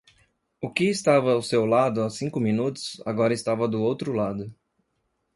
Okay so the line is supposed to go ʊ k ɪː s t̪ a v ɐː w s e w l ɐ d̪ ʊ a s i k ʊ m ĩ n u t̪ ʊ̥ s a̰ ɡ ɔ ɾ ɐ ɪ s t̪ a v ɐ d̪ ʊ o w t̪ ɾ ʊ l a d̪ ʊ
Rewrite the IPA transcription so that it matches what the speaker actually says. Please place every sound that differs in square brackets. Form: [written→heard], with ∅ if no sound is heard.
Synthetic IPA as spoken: ʊ k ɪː s t̪ a v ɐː w s e w l [ɐ→a] d̪ ʊ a s [i→ĩ] k ʊ m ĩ n u t̪ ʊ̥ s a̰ ɡ ɔ ɾ ɐ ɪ s t̪ a v ɐ d̪ ʊ o w t̪ ɾ ʊ l a d̪ ʊ